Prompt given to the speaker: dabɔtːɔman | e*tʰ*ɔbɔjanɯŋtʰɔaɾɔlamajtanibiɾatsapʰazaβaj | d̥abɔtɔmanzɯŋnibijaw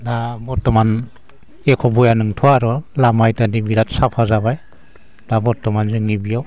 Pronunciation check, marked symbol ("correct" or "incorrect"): incorrect